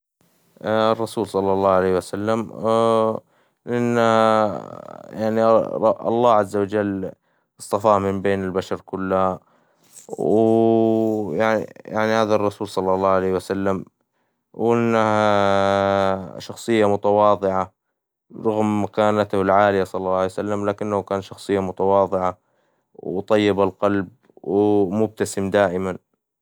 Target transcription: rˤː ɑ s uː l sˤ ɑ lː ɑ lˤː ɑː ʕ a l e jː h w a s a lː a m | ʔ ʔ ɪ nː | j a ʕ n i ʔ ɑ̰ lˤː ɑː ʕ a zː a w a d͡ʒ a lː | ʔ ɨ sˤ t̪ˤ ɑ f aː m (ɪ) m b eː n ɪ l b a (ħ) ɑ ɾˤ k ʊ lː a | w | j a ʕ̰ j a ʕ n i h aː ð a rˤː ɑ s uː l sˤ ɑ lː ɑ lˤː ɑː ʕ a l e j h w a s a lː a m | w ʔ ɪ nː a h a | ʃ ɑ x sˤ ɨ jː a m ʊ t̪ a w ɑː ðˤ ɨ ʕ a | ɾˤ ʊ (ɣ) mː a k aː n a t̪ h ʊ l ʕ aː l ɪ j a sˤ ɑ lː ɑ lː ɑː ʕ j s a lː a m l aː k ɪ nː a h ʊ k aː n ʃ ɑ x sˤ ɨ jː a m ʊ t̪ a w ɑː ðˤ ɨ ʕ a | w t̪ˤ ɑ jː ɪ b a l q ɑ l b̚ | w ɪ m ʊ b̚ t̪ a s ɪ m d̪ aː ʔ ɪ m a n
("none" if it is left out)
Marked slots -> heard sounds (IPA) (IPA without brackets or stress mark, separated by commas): ɪ, ʃ, ɣ